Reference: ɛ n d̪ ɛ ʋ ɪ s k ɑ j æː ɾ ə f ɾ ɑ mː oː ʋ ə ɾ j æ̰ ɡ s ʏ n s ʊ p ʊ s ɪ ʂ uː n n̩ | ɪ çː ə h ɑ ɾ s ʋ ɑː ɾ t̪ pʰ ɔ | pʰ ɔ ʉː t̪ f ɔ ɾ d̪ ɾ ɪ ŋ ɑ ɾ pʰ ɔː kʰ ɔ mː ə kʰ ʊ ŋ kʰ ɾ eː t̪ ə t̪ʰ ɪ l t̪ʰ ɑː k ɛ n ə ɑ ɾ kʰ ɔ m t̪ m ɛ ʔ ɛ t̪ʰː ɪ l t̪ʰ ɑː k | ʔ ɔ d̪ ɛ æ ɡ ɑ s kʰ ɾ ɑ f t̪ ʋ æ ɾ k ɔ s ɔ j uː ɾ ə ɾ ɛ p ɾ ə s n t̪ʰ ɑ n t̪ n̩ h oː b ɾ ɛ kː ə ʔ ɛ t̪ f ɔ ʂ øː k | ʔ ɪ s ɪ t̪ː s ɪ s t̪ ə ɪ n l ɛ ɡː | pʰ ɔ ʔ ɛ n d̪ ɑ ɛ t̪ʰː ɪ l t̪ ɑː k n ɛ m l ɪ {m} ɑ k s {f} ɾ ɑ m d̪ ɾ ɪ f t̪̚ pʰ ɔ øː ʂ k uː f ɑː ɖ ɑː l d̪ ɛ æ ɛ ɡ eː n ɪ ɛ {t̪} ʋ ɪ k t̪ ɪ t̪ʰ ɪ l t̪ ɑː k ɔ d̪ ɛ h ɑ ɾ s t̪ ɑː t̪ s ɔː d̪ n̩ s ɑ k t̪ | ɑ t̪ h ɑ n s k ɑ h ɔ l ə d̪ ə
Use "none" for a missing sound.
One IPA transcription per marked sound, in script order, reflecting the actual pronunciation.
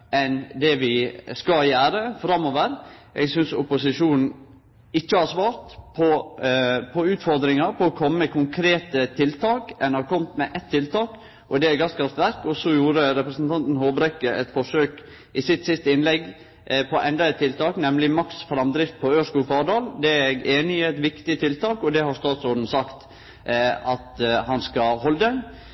m, f, t̪

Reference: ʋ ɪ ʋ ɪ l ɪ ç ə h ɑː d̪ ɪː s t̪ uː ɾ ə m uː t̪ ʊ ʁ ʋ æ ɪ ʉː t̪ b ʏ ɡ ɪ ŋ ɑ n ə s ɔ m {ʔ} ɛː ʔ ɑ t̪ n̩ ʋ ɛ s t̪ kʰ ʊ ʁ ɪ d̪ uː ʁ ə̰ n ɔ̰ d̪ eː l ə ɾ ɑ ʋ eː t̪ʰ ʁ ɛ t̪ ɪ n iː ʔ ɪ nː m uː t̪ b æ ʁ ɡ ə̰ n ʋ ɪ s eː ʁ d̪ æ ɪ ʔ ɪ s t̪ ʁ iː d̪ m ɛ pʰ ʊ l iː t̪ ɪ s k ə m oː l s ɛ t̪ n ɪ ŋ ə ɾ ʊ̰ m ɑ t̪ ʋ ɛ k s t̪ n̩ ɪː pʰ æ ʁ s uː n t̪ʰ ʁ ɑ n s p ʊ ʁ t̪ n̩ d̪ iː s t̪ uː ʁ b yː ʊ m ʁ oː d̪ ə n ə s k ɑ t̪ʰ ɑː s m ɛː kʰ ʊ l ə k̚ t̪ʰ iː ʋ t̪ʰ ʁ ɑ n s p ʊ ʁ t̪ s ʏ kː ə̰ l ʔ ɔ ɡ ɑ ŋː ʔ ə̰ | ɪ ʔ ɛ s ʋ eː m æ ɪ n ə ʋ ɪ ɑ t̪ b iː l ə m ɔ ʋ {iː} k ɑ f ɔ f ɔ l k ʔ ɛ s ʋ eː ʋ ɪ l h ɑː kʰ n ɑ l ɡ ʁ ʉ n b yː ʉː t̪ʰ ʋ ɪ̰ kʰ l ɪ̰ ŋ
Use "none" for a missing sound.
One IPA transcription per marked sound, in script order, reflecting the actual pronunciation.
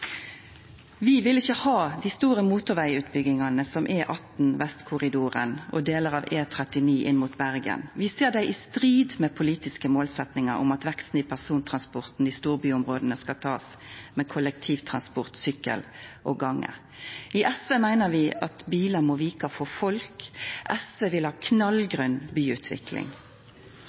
ʔ, iː

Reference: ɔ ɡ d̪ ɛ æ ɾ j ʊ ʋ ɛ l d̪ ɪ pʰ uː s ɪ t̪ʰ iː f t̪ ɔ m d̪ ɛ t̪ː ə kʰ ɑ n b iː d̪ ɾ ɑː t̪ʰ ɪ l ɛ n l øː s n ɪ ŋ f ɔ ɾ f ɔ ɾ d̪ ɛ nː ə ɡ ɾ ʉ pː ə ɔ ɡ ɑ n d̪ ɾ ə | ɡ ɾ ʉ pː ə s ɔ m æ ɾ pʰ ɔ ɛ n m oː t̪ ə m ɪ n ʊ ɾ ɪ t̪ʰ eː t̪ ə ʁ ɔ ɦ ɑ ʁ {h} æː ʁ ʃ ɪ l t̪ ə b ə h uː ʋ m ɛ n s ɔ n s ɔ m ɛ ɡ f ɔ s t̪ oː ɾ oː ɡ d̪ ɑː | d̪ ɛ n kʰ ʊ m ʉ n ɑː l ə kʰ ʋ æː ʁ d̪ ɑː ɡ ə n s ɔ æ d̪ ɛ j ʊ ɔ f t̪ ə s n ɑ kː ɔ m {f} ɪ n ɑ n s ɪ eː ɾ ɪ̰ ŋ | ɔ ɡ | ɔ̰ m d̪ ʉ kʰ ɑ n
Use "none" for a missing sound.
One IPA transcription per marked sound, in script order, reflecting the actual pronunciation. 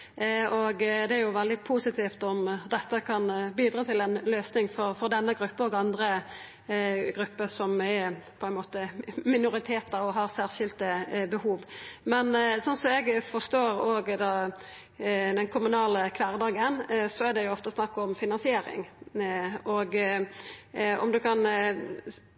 s, f

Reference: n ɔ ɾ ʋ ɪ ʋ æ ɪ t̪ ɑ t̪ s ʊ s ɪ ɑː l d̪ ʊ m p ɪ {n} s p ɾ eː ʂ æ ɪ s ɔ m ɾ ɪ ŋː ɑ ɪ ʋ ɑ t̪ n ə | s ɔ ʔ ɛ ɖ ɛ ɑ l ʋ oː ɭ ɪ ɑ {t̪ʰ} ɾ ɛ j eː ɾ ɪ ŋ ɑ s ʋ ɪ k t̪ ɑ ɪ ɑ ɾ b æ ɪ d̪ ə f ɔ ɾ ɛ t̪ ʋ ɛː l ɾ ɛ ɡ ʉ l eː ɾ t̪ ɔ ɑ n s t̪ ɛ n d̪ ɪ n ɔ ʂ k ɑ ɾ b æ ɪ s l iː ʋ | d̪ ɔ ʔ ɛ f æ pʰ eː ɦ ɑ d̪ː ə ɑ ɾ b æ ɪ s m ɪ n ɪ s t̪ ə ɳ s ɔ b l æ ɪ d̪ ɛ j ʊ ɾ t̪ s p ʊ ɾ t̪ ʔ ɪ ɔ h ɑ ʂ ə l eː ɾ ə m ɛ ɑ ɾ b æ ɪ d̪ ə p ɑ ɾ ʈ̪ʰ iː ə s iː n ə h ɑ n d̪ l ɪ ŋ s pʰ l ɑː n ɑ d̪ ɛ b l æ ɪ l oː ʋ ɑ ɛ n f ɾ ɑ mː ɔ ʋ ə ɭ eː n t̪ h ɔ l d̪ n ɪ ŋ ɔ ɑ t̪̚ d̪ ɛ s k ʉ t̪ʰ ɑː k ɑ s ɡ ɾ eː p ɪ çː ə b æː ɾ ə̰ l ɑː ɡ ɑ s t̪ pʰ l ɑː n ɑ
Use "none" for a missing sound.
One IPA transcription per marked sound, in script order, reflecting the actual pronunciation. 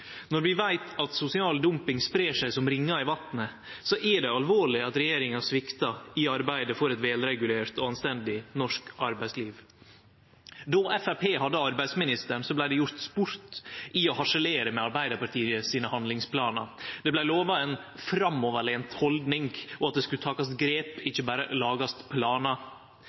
ŋ, t̪

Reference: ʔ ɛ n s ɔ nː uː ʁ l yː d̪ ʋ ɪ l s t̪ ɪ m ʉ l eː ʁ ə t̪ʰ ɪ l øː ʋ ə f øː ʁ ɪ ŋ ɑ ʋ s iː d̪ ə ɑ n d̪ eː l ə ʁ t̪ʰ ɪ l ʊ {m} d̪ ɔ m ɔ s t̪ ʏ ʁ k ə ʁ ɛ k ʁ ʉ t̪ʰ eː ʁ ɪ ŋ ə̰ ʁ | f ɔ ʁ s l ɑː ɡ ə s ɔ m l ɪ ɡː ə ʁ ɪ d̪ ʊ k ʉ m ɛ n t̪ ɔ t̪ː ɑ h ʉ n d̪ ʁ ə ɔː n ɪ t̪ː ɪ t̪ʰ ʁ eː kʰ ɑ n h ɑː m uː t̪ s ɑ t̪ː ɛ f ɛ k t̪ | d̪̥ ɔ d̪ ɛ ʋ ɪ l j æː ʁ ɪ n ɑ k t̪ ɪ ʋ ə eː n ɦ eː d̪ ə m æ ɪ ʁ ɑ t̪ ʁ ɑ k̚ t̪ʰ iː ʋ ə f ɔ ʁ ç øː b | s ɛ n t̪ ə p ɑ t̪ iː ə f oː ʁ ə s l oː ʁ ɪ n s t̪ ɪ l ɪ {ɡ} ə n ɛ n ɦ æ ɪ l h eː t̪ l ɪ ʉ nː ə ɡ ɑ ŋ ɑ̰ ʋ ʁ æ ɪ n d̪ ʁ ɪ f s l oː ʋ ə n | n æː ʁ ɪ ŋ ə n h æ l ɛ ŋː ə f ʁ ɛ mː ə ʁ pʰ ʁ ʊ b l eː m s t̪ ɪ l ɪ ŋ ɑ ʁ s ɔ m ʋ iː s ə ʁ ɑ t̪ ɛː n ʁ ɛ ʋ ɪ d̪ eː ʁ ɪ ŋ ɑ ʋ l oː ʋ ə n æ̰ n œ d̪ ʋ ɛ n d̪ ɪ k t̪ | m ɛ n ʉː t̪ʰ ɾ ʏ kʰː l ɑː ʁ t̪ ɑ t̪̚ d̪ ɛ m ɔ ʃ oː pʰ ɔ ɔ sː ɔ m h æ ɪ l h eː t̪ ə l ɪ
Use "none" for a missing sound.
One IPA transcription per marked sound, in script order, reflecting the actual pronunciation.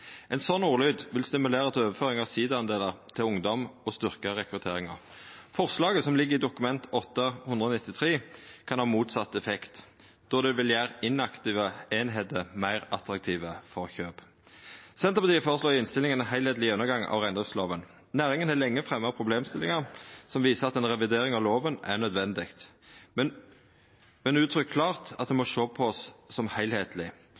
ŋ, ŋ

